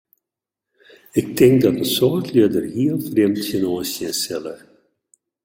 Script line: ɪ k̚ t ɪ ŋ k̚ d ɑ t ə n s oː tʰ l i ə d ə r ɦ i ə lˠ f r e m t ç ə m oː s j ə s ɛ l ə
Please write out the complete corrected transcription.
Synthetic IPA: ɪ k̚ t ɪ ŋ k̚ d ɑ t ə n s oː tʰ l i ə d ə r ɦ i ə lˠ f r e m t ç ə n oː s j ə s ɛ l ə